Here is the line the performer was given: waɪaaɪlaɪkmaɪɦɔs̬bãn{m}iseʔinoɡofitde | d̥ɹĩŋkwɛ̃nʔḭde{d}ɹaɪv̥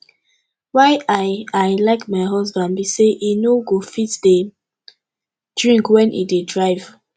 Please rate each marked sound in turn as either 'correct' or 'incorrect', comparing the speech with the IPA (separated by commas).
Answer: incorrect, correct